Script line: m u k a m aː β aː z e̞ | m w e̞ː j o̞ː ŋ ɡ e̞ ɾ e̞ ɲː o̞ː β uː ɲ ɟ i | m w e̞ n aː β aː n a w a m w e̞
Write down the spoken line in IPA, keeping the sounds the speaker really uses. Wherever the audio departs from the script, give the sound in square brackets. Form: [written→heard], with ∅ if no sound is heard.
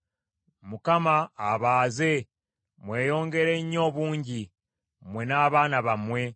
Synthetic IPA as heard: m u k a m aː β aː z e̞ | m w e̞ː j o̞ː ŋ ɡ e̞ ɾ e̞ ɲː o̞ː β uː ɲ ɟ i | m w e̞ n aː β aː n a [w→β] a m w e̞